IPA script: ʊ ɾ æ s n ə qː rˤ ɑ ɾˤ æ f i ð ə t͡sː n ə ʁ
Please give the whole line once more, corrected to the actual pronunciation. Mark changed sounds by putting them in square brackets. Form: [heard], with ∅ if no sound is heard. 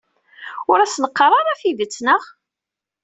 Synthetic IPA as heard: ʊ ɾ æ s n ə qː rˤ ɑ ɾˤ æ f i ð ə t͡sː n ə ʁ